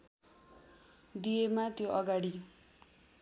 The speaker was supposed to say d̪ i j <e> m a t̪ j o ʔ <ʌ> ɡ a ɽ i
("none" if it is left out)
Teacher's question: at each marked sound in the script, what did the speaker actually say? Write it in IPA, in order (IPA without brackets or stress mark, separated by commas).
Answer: e, ʌ